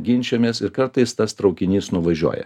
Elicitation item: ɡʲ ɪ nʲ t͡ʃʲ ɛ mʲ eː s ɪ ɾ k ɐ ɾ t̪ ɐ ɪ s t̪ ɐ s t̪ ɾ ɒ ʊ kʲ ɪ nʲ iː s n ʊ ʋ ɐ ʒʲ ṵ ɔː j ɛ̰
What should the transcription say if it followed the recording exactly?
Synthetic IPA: ɡʲ ɪ nʲ t͡ʃʲ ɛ mʲ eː s ɪ ɾ k ɐ ɾ t̪ ɐ ɪ s t̪ ɐ s t̪ ɾ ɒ ʊ kʲ ɪ nʲ iː s n ʊ ʋ ɐ ʒʲ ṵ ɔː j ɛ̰